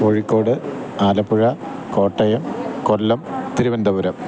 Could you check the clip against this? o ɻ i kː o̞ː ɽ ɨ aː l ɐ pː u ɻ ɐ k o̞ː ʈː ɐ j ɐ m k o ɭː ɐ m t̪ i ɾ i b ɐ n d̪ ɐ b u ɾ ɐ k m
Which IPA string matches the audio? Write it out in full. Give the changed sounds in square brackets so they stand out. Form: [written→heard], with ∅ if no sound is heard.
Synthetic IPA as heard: o ɻ i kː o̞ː ɽ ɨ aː l ɐ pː u ɻ ɐ k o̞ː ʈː ɐ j ɐ m k o [ɭː→lː] ɐ m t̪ i ɾ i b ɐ n d̪ ɐ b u ɾ ɐ [k→∅] m